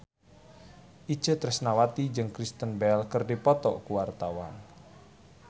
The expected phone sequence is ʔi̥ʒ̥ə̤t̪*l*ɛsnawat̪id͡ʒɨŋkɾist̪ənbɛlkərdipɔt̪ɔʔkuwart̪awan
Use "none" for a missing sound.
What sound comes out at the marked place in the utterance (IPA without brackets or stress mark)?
ɾ